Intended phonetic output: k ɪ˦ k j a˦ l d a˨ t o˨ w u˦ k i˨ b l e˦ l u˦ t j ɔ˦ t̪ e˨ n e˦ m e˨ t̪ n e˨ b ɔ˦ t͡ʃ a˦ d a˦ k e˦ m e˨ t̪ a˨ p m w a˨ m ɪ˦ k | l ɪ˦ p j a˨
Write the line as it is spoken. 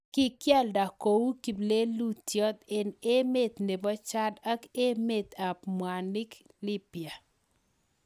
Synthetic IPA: k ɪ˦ k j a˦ l d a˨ k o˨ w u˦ k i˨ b l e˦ l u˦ t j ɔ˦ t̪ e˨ n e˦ m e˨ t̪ n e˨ b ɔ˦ t͡ʃ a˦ d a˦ k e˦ m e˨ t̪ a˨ p m w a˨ n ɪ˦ k | l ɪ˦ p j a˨